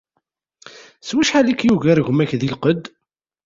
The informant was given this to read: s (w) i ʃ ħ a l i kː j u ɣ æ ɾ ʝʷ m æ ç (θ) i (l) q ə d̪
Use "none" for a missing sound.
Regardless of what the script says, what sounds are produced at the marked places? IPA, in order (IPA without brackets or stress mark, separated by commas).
w, ð, l